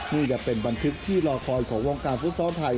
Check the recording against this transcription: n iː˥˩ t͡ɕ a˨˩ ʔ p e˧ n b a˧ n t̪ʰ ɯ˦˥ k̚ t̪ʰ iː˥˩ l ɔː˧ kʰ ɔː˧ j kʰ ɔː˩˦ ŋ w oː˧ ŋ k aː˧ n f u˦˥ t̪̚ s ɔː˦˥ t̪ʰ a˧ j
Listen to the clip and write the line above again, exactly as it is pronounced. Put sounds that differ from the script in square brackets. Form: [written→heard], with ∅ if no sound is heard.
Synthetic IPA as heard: n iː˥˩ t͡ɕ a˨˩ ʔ p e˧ n b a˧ n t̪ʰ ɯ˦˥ k̚ t̪ʰ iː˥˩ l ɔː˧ kʰ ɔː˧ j kʰ ɔː˩˦ ŋ w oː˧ ŋ k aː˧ n f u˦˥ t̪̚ s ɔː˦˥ t̪ʰ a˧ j